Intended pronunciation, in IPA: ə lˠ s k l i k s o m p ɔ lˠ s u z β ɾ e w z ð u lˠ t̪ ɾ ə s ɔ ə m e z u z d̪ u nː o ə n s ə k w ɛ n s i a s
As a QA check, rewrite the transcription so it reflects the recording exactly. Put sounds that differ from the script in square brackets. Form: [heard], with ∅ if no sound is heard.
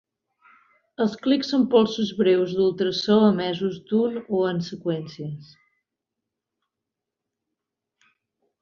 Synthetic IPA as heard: ə lˠ s k l i k s o m p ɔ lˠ s u z β ɾ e w z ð u lˠ t̪ ɾ ə s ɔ ə m [ɛ] z u z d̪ u [n] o ə n s ə k w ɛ n s i [ə] s